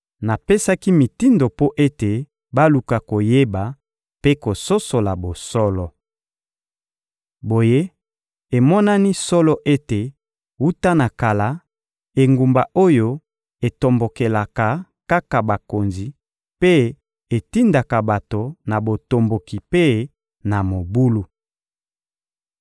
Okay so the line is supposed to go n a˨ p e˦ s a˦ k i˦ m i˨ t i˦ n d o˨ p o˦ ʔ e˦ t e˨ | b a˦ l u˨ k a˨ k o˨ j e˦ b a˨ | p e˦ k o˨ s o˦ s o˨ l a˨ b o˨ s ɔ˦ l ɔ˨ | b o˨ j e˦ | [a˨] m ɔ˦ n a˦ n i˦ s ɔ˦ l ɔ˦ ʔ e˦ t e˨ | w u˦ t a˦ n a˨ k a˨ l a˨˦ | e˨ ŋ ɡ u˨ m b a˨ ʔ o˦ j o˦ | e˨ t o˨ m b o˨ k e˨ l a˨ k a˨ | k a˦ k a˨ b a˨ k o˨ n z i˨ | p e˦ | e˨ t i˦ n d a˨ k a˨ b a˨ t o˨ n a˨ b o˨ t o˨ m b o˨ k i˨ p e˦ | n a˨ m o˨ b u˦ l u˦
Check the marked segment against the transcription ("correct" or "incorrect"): incorrect